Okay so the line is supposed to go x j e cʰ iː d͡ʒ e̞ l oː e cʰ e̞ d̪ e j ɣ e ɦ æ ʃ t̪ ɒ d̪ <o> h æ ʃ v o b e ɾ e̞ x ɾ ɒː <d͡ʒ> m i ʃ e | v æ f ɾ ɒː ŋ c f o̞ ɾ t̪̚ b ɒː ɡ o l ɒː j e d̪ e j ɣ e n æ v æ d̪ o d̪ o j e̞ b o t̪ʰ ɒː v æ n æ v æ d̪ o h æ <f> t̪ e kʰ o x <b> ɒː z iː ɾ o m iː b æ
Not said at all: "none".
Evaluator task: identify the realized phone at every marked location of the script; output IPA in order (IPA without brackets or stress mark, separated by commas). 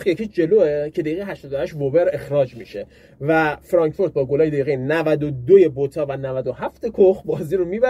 o, d͡ʒ, f, b